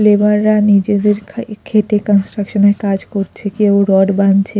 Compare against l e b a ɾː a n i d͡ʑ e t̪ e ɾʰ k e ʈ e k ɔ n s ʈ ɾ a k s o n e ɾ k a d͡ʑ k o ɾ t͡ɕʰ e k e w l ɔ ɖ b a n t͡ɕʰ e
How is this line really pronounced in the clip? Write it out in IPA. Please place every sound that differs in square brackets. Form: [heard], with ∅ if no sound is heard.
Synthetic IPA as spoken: l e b a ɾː a n i d͡ʑ e [d̪] e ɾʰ [kʰ] e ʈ e k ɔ n s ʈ ɾ a k [ʃ] o n e ɾ k a d͡ʑ k o ɾ t͡ɕʰ e k e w [ɾ] ɔ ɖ b a n t͡ɕʰ e